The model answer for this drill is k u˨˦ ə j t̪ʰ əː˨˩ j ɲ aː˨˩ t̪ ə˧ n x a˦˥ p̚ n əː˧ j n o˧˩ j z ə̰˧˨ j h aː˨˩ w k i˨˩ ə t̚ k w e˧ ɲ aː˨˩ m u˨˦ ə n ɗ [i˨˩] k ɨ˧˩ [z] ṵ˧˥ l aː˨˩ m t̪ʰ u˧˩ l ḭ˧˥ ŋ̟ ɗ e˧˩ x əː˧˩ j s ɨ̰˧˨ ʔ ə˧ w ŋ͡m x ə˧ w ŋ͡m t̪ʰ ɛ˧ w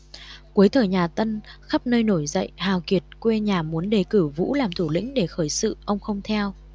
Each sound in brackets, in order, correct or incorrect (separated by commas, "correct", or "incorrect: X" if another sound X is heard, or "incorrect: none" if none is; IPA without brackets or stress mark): incorrect: e˨˩, incorrect: v